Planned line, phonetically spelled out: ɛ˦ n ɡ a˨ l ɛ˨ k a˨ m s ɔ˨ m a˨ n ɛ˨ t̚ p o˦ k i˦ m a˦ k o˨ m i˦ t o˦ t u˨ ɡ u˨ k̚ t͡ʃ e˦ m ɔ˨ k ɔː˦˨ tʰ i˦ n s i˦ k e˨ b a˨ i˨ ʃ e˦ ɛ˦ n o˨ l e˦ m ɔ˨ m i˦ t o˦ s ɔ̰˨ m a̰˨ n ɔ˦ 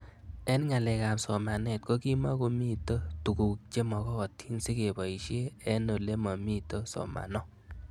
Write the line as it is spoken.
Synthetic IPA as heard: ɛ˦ n ŋ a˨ l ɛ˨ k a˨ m s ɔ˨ m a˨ n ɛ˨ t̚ k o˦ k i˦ m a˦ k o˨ m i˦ t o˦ t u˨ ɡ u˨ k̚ t͡ʃ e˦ m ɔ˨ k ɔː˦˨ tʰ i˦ n s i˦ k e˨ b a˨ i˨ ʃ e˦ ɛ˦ n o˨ l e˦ m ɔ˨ m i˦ t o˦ s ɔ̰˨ m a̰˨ n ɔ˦